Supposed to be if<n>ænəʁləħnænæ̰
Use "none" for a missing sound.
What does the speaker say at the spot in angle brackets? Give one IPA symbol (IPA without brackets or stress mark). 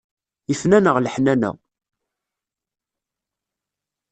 n